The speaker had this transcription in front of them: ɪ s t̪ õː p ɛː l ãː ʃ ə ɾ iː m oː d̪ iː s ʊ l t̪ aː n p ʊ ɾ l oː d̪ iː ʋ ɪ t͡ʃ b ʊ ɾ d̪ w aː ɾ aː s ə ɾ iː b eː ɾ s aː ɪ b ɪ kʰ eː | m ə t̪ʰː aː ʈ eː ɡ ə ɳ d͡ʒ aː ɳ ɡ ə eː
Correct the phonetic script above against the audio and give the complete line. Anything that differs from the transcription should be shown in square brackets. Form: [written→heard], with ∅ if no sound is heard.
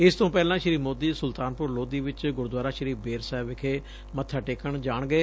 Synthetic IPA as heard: ɪ s t̪ õː p ɛː l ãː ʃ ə ɾ iː m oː d̪ iː s ʊ l t̪ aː n p ʊ ɾ l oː d̪ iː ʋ ɪ t͡ʃ [b→ɡ] ʊ ɾ d̪ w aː ɾ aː [s→ʃ] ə ɾ iː b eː ɾ s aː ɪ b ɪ kʰ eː | m ə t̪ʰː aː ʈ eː [ɡ→k] ə ɳ d͡ʒ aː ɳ ɡ ə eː